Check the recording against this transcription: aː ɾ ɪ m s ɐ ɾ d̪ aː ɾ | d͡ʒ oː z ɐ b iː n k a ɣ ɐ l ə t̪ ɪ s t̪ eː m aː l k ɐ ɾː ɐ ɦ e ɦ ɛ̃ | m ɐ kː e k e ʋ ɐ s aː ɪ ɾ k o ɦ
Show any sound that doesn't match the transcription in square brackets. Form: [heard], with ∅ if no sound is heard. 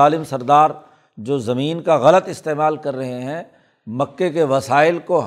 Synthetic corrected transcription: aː [l] ɪ m s ɐ ɾ d̪ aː ɾ | d͡ʒ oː z ɐ [m] iː n k a ɣ ɐ l ə t̪ ɪ s t̪ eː m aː l k ɐ ɾː ɐ ɦ e ɦ ɛ̃ | m ɐ kː e k e ʋ ɐ s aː ɪ [l] k o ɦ